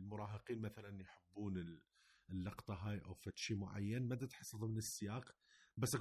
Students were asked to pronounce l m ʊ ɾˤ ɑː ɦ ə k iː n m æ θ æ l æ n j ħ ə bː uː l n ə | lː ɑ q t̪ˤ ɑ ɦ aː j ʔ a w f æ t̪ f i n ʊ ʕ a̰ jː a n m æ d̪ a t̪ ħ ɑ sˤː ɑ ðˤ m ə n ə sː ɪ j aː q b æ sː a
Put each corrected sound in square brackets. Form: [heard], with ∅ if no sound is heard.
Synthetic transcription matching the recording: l m ʊ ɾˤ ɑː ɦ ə [q] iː n m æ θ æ l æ n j ħ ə bː uː [∅] n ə | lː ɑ q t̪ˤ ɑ ɦ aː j ʔ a w f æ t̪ [ʃ] i [m] ʊ ʕ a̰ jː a n m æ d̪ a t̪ ħ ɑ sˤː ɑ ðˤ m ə n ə sː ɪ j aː q b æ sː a